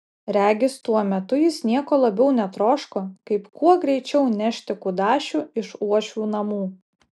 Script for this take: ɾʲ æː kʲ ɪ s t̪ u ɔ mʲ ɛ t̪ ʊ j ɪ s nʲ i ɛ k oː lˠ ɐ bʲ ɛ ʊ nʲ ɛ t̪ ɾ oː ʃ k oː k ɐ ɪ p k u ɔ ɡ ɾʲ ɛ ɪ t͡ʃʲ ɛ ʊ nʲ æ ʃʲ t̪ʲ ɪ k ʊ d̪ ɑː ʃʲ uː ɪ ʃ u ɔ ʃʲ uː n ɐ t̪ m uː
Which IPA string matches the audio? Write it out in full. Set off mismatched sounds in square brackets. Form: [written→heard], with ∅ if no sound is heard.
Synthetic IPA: ɾʲ æː [kʲ→ɡʲ] ɪ s t̪ u ɔ mʲ ɛ t̪ ʊ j ɪ s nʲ i ɛ k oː lˠ ɐ bʲ ɛ ʊ nʲ ɛ t̪ ɾ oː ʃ k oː k ɐ ɪ p k u ɔ ɡ ɾʲ ɛ ɪ t͡ʃʲ ɛ ʊ nʲ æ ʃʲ t̪ʲ ɪ k ʊ d̪ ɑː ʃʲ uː ɪ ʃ u ɔ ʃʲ uː n ɐ [t̪→∅] m uː

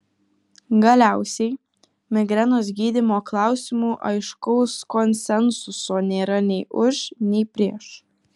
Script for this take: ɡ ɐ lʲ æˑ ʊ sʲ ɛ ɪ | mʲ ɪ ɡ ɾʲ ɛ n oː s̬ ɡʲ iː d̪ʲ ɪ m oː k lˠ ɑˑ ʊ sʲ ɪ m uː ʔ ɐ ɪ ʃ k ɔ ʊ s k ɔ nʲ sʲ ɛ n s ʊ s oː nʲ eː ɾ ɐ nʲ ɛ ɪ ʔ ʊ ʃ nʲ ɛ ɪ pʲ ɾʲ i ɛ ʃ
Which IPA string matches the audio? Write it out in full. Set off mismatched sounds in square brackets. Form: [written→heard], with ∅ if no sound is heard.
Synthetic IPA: ɡ ɐ lʲ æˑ ʊ sʲ ɛ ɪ | mʲ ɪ ɡ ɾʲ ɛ n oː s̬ ɡʲ iː d̪ʲ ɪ m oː k lˠ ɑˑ ʊ sʲ ɪ m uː ʔ ɐ ɪ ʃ k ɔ ʊ s k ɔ nʲ sʲ ɛ n s ʊ s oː nʲ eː ɾ ɐ nʲ ɛ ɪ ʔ ʊ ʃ nʲ ɛ ɪ pʲ ɾʲ i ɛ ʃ

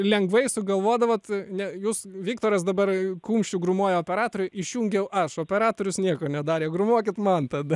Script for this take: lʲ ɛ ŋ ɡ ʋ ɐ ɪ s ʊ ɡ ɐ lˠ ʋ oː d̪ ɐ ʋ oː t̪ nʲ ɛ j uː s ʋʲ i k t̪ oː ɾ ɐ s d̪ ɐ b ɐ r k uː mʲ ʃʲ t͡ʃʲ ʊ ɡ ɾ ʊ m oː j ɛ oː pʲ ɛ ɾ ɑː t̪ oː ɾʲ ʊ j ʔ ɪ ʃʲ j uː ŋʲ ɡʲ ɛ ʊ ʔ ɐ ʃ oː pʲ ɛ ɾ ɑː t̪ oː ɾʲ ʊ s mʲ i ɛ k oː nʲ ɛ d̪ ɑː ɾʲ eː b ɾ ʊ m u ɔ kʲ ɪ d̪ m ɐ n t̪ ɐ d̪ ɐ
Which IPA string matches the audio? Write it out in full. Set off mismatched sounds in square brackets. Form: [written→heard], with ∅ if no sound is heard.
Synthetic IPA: lʲ ɛ ŋ ɡ ʋ ɐ ɪ s ʊ ɡ ɐ lˠ ʋ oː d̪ ɐ ʋ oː t̪ nʲ ɛ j uː s ʋʲ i k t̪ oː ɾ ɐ s d̪ ɐ b ɐ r k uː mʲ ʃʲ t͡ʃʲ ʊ ɡ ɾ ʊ m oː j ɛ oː pʲ ɛ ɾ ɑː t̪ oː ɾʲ ʊ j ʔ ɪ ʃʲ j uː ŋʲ ɡʲ ɛ ʊ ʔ ɐ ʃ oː pʲ ɛ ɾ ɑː t̪ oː ɾʲ ʊ s [mʲ→nʲ] i ɛ k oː nʲ ɛ d̪ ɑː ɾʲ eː [b→ɡ] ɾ ʊ m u ɔ kʲ ɪ [d̪→t̪] m ɐ n t̪ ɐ d̪ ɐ

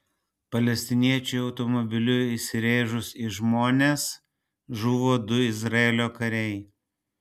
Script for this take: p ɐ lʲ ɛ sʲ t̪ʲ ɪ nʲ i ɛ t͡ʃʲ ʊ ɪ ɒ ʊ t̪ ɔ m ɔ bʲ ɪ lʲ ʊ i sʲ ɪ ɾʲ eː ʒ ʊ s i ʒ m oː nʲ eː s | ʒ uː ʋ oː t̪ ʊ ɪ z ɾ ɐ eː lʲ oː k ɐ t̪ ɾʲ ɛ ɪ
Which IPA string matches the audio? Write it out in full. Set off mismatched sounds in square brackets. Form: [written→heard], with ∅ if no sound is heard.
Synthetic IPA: p ɐ lʲ ɛ sʲ t̪ʲ ɪ nʲ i ɛ t͡ʃʲ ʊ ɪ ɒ ʊ t̪ ɔ m ɔ bʲ ɪ lʲ ʊ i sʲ ɪ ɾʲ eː ʒ ʊ s i ʒ m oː nʲ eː s | ʒ uː ʋ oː [t̪→d̪] ʊ ɪ z ɾ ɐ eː lʲ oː k ɐ [t̪→∅] ɾʲ ɛ ɪ

